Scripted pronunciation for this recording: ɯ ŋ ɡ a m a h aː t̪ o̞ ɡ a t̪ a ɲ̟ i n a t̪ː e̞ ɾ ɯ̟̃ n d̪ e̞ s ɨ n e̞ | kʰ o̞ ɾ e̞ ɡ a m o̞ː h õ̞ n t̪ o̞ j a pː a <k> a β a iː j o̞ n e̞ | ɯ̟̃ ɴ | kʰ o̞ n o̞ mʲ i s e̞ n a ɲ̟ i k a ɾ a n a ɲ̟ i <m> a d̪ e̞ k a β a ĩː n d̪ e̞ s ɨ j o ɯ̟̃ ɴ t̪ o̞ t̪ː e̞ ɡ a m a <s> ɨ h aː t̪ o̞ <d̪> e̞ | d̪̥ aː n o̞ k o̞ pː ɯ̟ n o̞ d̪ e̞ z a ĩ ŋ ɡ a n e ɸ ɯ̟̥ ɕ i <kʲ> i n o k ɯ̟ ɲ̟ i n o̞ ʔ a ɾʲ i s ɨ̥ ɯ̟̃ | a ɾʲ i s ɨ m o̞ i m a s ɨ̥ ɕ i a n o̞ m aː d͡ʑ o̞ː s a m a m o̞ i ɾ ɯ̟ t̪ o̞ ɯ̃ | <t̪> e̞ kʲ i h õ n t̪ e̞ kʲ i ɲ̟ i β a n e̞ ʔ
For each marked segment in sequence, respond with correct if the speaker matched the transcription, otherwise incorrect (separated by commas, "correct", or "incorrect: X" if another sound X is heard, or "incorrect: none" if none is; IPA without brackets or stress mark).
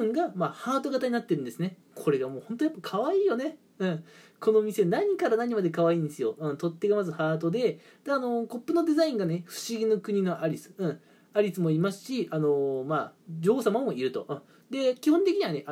incorrect: kʰ, correct, incorrect: z, correct, incorrect: ɡʲ, incorrect: d̪